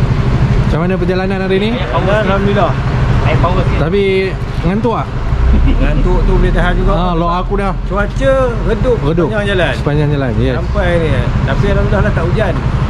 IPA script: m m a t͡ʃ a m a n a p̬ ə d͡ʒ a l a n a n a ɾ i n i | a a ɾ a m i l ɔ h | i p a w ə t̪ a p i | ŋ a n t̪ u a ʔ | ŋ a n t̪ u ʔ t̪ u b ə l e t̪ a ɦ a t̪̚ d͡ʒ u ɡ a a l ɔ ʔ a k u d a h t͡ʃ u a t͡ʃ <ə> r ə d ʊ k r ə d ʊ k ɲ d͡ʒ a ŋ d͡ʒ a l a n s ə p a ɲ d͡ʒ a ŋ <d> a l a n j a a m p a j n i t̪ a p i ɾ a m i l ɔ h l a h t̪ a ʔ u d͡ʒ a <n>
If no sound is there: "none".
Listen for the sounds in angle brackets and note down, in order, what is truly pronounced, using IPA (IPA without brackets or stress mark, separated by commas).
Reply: ə, d͡ʒ, n